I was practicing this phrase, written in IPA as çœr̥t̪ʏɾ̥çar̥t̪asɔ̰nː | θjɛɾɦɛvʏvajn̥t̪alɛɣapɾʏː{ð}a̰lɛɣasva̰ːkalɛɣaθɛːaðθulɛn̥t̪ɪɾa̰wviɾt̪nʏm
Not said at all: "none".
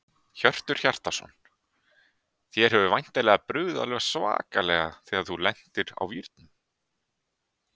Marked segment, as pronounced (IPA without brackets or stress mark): ð